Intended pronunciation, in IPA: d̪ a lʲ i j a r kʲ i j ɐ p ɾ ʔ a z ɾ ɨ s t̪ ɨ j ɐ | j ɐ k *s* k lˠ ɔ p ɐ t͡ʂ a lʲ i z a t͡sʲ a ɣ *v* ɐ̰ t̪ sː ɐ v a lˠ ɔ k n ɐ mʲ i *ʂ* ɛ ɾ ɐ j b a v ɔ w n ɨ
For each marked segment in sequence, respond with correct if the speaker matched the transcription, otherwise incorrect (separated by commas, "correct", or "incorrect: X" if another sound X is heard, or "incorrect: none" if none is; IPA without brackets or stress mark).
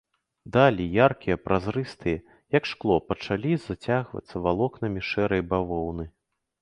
incorrect: ʂ, correct, correct